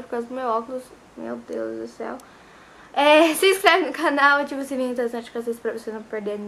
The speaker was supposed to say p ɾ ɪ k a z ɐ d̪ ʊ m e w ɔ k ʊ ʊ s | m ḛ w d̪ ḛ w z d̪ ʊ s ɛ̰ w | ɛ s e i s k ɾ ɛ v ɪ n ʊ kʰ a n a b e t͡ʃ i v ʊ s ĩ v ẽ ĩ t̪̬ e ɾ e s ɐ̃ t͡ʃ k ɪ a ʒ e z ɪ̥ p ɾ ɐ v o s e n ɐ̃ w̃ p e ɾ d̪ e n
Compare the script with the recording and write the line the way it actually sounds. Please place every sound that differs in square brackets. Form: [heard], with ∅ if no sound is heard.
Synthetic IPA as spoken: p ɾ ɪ k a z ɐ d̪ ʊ m e w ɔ k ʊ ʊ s | m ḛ w d̪ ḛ w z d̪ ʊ s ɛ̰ w | ɛ s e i s k ɾ ɛ v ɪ n ʊ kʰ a n a [w] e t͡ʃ i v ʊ s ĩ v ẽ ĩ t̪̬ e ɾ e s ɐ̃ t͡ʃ k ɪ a [z] e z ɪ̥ p ɾ ɐ v o s e n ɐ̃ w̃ p e ɾ d̪ e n